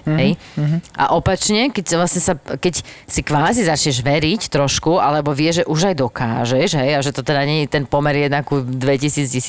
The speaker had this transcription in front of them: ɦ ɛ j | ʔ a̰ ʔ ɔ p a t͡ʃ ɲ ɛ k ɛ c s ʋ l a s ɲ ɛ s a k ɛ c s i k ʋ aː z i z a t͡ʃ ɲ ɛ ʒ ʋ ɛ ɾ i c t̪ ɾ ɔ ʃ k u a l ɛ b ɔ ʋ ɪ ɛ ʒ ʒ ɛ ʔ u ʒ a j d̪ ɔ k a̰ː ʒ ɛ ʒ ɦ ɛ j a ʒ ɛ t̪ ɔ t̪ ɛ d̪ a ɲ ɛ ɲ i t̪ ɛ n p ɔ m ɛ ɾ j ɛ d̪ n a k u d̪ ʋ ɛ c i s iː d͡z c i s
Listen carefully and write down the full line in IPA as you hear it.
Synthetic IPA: ɦ ɛ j | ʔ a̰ ʔ ɔ p a t͡ʃ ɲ ɛ k ɛ c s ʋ l a s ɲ ɛ s a k ɛ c s i k ʋ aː z i z a t͡ʃ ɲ ɛ ʒ ʋ ɛ ɾ i c t̪ ɾ ɔ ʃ k u a l ɛ b ɔ ʋ ɪ ɛ ʒ ʒ ɛ ʔ u ʒ a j d̪ ɔ k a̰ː ʒ ɛ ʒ ɦ ɛ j a ʒ ɛ t̪ ɔ t̪ ɛ d̪ a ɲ ɛ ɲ i t̪ ɛ n p ɔ m ɛ ɾ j ɛ d̪ n a k u d̪ ʋ ɛ c i s iː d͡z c i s